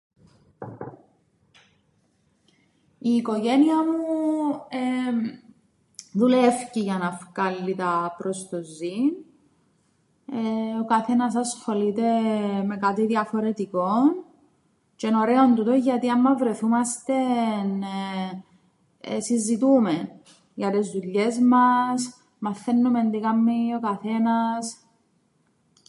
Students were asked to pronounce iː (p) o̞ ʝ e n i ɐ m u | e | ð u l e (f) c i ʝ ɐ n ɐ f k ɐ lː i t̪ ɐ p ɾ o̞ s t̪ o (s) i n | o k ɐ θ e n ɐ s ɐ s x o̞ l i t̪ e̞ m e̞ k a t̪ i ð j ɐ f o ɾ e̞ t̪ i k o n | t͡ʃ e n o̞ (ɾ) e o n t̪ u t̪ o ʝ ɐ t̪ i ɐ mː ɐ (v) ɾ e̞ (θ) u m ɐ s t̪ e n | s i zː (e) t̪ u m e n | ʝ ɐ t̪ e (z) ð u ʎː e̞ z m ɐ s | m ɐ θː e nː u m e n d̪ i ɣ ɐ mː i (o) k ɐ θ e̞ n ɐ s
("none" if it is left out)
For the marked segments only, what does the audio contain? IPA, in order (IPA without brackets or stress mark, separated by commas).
k, f, z, ɾ, v, θ, i, z, o